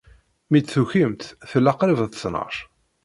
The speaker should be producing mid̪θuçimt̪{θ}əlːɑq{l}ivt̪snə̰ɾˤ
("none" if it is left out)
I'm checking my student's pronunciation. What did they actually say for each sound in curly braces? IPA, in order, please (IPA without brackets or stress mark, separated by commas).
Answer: θ, ɾ